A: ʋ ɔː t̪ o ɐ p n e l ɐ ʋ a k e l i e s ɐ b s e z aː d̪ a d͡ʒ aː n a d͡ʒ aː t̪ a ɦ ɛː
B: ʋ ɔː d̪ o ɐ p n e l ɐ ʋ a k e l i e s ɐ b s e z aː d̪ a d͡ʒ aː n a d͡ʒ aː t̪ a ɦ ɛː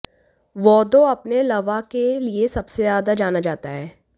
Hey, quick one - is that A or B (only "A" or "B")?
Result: B